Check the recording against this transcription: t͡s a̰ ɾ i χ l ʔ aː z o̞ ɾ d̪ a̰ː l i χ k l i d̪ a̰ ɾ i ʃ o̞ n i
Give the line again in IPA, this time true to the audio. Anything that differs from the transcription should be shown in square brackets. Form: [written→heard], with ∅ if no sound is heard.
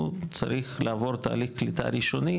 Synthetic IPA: t͡s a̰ ɾ i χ l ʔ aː [z→v] o̞ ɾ [d̪→t̪] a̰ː l i χ k l i [d̪→t̪] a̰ ɾ i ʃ o̞ n i